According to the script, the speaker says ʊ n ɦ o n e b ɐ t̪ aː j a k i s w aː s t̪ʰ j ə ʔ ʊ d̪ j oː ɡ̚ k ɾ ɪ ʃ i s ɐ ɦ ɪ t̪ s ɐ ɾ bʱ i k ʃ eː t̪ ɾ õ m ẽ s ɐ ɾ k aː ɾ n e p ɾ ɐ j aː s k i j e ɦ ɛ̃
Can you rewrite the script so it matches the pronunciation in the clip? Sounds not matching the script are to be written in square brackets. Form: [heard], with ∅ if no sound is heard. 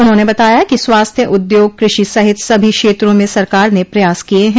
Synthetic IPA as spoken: ʊ n ɦ [õ] n e b ɐ t̪ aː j a k i s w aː s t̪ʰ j ə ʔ ʊ d̪ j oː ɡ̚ k ɾ ɪ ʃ i s ɐ ɦ ɪ t̪ s ɐ [∅] bʱ i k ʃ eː t̪ ɾ õ m ẽ s ɐ ɾ k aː ɾ n e p ɾ ɐ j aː s k i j e ɦ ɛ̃